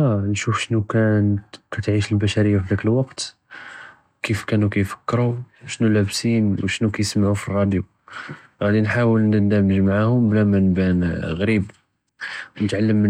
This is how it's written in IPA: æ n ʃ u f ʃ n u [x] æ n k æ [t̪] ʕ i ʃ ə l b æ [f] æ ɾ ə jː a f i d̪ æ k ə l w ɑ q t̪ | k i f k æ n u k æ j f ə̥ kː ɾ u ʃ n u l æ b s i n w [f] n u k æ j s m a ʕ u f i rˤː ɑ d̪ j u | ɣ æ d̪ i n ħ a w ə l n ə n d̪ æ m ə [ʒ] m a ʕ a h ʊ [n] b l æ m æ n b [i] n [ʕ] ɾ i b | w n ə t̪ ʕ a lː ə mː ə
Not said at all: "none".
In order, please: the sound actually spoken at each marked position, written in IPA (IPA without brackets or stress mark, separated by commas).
k, t̪, ʃ, ʃ, ʒ, m, æ, ɣ